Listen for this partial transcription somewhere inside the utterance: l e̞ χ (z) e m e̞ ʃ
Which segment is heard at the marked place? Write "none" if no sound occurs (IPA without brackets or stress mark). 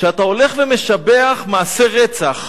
v